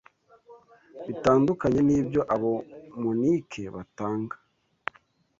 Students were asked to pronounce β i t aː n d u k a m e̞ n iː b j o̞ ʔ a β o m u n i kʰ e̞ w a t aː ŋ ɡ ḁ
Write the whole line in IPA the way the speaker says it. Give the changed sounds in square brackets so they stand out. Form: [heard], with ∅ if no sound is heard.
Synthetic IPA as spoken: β i t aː n d u k a [ɲ] e̞ n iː b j o̞ ʔ a β o m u n i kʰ e̞ [β] a t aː ŋ ɡ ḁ